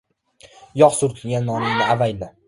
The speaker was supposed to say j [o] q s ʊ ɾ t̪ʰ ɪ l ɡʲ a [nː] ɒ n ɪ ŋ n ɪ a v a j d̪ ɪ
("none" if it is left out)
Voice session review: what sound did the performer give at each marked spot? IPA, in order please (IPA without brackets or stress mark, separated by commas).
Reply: ɒ, nː